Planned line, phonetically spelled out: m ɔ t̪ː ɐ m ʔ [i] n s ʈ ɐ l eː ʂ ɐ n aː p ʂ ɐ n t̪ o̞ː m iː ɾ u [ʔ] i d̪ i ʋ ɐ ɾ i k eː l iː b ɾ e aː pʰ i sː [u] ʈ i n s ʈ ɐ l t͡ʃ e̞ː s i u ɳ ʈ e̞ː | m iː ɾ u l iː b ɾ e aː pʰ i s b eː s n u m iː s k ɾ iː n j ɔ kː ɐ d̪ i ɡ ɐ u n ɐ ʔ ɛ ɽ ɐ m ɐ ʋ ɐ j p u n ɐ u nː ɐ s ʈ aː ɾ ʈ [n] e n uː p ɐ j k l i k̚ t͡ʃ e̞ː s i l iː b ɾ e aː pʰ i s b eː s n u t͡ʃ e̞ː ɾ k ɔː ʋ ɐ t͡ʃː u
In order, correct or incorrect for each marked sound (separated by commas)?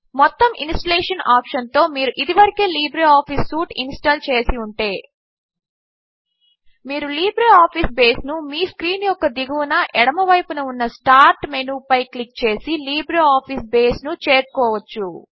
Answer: correct, correct, incorrect, incorrect